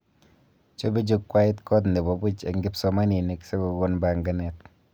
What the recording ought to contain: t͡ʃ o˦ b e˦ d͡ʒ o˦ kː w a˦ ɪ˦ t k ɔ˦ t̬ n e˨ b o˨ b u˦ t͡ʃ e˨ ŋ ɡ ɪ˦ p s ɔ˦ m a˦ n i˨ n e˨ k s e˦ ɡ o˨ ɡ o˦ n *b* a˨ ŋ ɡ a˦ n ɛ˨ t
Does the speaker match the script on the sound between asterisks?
yes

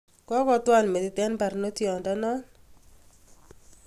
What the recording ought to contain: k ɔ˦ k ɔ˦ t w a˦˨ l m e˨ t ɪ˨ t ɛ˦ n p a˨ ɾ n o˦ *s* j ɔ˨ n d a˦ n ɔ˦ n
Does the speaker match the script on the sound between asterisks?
no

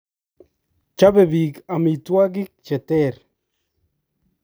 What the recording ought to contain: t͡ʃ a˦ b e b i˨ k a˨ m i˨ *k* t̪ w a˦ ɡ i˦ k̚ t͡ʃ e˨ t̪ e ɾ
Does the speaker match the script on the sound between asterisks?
no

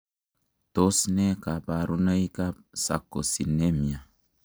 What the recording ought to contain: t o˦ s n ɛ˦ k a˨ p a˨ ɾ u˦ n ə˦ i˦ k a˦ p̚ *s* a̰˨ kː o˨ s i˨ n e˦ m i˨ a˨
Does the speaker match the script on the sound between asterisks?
yes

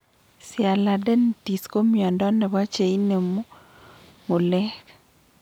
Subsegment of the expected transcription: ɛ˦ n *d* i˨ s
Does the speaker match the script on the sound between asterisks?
no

